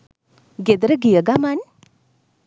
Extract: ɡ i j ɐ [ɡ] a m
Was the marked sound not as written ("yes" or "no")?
no